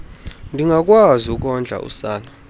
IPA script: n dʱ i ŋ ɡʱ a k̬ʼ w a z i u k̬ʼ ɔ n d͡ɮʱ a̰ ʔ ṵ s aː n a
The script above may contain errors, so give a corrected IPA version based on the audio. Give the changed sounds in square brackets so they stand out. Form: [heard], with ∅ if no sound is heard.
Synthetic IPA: n dʱ i ŋ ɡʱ a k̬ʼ w a z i u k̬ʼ ɔ n d͡ɮʱ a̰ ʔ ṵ s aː n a